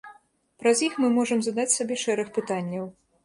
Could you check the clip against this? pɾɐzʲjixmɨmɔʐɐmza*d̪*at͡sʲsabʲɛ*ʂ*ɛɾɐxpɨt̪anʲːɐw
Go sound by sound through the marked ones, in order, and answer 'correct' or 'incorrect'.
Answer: correct, correct

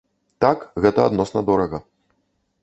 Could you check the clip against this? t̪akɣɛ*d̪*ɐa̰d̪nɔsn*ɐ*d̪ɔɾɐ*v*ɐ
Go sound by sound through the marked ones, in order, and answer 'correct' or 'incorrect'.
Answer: incorrect: t̪, correct, incorrect: ɣ

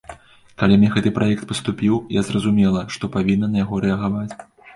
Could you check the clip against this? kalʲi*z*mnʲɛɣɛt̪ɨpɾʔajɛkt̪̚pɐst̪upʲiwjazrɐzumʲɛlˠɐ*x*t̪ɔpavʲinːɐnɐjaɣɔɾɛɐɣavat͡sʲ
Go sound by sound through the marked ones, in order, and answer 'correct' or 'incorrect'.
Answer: incorrect: none, incorrect: ʂ

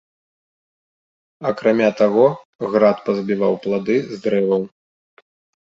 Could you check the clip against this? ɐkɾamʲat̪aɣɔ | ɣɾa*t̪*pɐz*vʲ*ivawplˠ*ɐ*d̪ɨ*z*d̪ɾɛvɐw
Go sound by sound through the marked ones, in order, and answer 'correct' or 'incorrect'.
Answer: correct, incorrect: bʲ, incorrect: a, correct

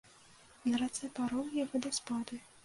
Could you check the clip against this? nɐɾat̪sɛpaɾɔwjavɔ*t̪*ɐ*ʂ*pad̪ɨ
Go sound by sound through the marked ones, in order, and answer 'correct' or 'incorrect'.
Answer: incorrect: d̪, incorrect: s

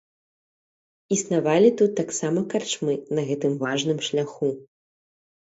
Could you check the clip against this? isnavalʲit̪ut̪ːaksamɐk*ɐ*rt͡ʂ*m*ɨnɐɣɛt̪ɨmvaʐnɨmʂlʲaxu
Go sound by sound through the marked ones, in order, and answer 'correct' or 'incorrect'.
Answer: incorrect: a, correct

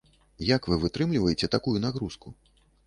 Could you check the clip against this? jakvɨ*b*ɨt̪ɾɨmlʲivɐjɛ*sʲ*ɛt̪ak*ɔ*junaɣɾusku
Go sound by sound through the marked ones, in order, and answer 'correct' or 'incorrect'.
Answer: incorrect: v, incorrect: t͡sʲ, incorrect: u

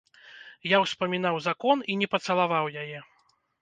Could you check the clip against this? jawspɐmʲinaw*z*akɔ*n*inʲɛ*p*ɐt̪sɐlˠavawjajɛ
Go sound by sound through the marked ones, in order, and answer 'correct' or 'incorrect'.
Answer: correct, correct, correct

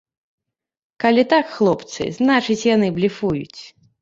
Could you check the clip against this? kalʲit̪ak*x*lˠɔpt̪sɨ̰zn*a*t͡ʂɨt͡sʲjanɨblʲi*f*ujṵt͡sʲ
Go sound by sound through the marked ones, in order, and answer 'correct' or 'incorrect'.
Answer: correct, correct, correct

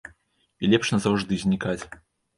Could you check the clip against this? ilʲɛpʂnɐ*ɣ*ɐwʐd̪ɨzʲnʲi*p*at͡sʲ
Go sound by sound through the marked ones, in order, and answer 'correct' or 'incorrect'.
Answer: incorrect: z, incorrect: k

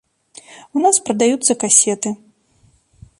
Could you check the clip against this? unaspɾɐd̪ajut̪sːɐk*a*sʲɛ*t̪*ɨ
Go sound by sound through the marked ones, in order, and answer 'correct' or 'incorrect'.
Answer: correct, correct

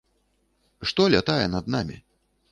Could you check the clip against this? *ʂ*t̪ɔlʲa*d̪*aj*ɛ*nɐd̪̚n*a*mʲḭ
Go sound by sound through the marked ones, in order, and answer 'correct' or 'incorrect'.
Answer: correct, incorrect: t̪, correct, correct

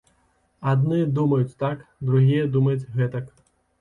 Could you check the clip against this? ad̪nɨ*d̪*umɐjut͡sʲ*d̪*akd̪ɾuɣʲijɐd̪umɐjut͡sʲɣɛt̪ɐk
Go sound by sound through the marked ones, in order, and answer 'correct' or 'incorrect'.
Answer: correct, incorrect: t̪

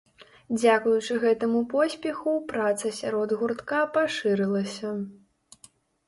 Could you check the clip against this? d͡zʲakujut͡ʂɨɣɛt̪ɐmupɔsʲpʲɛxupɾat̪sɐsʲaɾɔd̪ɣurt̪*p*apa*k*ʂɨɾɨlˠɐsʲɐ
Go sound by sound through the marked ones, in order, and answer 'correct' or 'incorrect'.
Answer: incorrect: k, incorrect: none

